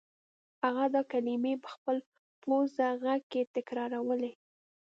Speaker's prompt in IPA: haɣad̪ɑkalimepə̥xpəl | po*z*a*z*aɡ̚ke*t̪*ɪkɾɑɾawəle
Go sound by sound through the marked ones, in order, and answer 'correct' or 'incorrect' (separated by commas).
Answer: correct, incorrect, correct